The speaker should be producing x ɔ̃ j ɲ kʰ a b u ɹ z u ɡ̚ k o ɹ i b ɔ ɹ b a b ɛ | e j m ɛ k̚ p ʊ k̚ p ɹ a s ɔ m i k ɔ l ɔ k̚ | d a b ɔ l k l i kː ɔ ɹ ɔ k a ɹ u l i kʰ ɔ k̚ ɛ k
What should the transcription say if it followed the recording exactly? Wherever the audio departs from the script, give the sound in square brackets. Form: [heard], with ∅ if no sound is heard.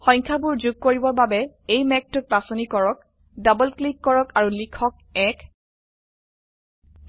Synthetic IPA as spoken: x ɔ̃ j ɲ kʰ a b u ɹ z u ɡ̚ k o ɹ i b ɔ ɹ b a b ɛ | e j m ɛ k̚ [t] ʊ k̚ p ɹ a s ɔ [n] i k ɔ [ɹ] ɔ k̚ | d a b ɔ l k l i kː ɔ ɹ ɔ k a ɹ u l i kʰ ɔ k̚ ɛ k